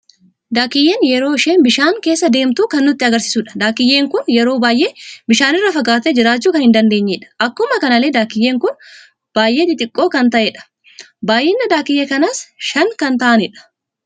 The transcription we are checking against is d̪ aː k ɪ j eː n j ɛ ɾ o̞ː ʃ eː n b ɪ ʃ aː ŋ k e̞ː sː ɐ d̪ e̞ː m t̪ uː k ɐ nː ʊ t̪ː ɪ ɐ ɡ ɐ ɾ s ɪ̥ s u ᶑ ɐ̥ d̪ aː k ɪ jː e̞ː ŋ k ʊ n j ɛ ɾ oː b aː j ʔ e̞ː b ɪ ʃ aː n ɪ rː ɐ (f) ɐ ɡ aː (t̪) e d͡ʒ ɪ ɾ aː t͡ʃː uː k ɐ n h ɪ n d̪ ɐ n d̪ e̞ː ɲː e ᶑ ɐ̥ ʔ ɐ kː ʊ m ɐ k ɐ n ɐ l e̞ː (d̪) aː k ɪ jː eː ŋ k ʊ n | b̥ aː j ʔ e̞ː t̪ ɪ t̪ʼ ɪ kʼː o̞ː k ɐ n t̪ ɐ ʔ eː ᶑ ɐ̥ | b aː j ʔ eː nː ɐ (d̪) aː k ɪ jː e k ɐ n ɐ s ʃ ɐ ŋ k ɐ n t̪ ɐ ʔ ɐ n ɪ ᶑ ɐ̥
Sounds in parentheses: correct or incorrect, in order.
correct, correct, correct, correct

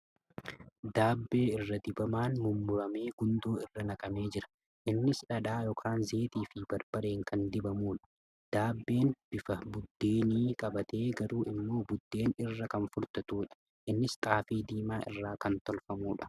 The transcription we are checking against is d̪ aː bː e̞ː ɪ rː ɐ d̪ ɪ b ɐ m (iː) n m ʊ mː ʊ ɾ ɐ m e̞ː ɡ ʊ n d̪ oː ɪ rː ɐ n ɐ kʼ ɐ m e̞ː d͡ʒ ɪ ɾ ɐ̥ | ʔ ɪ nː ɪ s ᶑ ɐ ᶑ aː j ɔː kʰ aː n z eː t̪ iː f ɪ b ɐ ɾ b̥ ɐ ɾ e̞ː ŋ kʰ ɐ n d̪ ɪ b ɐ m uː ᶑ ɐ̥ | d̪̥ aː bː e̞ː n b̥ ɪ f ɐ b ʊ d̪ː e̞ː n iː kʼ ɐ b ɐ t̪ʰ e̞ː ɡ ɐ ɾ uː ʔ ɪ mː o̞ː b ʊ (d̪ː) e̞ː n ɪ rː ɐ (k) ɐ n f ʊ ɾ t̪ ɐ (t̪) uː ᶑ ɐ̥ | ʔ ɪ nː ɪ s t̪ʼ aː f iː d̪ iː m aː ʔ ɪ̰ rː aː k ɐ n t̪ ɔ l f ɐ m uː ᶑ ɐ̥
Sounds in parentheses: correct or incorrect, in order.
incorrect, correct, correct, correct

